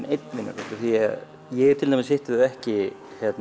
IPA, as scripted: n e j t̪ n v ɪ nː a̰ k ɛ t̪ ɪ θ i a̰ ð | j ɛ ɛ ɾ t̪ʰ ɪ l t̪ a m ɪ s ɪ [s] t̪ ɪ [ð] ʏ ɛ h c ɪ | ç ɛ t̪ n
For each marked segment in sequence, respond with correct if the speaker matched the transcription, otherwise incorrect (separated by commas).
incorrect, correct